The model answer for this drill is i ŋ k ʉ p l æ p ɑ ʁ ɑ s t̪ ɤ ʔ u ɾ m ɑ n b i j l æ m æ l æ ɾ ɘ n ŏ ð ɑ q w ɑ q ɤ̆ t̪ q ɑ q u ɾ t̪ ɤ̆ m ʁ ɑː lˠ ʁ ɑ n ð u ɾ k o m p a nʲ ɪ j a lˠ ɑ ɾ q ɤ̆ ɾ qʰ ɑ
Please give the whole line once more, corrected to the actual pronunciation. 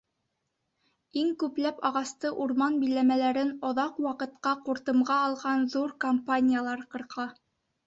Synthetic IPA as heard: i ŋ k ʉ p l æ p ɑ ʁ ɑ s t̪ ɤ ʔ u ɾ m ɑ n b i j l æ m æ l æ ɾ ɘ n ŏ ð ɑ q w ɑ q ɤ̆ t̪ q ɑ q u ɾ t̪ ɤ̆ m ʁ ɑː lˠ ʁ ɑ n ð u ɾ k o m p a nʲ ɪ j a lˠ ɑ ɾ q ɤ̆ ɾ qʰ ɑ